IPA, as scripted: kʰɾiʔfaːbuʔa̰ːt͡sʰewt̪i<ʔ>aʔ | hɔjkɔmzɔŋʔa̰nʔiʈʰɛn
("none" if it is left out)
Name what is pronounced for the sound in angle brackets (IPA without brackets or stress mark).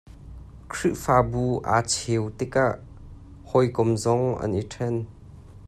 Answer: k